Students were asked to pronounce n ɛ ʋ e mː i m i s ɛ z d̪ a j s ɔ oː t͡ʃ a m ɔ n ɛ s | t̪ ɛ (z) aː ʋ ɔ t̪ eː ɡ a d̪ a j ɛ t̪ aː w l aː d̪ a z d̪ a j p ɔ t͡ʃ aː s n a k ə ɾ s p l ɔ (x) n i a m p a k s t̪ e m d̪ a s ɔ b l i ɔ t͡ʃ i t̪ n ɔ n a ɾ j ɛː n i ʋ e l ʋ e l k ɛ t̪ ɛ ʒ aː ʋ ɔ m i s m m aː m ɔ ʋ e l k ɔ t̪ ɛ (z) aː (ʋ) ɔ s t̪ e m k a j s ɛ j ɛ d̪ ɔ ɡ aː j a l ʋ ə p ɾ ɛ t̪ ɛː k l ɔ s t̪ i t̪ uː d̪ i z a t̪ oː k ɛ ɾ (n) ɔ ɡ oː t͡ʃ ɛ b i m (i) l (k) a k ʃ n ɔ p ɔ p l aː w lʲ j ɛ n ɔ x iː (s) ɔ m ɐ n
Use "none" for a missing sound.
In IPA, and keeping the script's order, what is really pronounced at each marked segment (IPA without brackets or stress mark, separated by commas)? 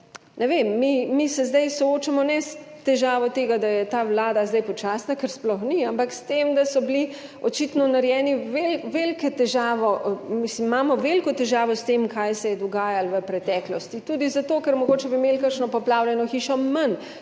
ʒ, x, ʒ, ʋ, m, e, k, ʃ